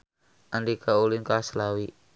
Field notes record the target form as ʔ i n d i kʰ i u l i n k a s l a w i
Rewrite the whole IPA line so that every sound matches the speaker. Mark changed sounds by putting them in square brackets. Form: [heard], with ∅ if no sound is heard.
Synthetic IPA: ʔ [a] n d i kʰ [a] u l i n k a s l a w i